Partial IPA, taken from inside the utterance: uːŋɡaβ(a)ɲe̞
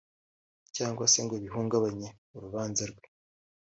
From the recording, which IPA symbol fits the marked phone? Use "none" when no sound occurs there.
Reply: a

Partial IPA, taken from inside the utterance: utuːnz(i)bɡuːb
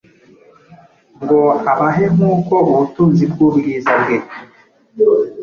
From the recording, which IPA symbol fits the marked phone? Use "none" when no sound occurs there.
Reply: i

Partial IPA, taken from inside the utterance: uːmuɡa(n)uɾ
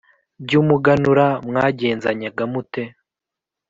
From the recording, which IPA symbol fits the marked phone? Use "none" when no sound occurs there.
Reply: n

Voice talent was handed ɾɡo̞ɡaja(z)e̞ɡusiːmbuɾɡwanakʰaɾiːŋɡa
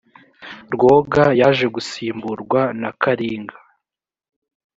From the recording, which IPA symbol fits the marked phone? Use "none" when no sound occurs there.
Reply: ʒ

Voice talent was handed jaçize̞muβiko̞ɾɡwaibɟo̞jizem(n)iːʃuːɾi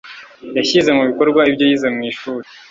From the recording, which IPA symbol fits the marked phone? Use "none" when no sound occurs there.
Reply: ŋ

